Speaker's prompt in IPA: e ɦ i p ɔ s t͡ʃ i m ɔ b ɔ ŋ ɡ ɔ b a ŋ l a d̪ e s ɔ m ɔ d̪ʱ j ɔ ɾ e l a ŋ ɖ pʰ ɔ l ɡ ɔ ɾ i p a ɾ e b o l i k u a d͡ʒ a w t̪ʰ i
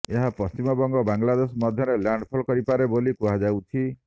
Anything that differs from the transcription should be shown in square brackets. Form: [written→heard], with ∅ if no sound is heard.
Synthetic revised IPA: e ɦ [i→a] p ɔ s t͡ʃ i m ɔ b ɔ ŋ ɡ ɔ b a ŋ l a d̪ e s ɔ m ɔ d̪ʱ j ɔ ɾ e l a [ŋ→ɳ] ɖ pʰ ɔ l [ɡ→k] ɔ ɾ i p a ɾ e b o l i k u a d͡ʒ a w t̪ʰ i